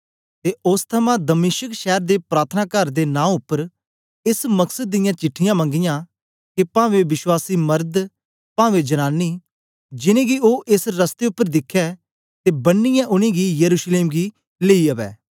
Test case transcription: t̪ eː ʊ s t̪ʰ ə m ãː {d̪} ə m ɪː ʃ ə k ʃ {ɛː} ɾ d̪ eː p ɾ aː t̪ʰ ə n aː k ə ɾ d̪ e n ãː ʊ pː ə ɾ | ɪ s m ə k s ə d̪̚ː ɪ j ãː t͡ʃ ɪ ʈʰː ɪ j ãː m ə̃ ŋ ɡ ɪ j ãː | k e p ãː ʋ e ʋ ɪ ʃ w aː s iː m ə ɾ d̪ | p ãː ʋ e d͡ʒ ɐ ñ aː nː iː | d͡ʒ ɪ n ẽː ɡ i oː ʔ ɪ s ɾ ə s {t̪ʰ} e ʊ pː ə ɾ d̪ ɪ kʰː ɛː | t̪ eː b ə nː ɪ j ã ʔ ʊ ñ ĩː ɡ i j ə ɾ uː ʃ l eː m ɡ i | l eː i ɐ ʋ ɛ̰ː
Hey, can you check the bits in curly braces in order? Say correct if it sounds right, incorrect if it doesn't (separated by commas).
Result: correct, correct, incorrect